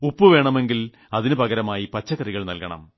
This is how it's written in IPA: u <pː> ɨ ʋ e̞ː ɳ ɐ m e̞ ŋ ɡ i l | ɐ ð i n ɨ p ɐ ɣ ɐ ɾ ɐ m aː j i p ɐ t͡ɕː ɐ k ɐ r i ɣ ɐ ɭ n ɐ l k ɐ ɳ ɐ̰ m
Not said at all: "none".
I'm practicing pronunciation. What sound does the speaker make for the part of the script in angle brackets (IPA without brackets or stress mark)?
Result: pː